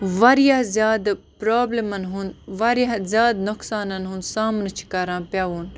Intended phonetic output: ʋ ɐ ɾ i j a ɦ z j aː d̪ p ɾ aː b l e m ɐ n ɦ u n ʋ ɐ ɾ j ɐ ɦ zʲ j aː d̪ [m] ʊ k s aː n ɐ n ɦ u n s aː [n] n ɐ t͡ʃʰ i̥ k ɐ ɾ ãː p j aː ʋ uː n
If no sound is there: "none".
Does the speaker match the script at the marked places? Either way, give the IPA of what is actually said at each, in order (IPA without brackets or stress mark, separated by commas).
n, m